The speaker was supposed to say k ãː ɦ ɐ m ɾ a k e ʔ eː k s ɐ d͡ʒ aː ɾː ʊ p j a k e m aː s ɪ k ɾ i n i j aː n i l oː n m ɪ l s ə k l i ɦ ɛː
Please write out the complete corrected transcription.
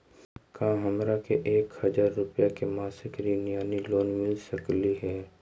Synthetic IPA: k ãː ɦ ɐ m ɾ a k e ʔ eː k h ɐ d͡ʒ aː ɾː ʊ p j a k e m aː s ɪ k ɾ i n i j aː n i l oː n m ɪ l s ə k l i ɦ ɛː